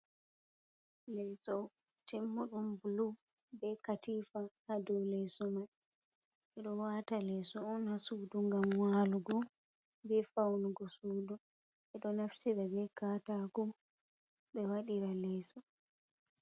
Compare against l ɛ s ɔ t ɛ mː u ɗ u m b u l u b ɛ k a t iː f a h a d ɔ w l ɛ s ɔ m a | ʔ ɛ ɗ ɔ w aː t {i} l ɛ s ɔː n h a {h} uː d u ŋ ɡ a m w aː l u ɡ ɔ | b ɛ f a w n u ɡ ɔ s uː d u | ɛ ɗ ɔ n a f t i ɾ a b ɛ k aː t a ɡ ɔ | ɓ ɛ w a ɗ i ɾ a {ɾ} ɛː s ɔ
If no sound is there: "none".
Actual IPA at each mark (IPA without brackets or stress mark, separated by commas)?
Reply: a, s, l